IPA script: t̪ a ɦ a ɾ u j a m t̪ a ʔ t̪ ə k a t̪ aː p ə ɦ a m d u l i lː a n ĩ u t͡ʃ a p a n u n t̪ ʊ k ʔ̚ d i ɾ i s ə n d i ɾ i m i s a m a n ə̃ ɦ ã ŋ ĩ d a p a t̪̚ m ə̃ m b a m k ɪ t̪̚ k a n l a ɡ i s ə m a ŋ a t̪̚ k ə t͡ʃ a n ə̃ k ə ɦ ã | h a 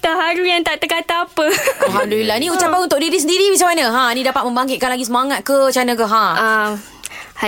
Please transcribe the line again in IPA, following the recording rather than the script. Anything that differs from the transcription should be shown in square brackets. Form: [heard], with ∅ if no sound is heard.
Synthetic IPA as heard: t̪ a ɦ a ɾ u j a [ŋ] t̪ a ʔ t̪ ə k a t̪ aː p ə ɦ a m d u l i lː a n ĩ u t͡ʃ a p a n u n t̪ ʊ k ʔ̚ d i ɾ i s ə n d i ɾ i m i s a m a n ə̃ ɦ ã [n] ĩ d a p a t̪̚ m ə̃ m b a [ŋ] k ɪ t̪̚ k a n l a ɡ i s ə m a ŋ a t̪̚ k ə t͡ʃ a n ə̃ k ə ɦ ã | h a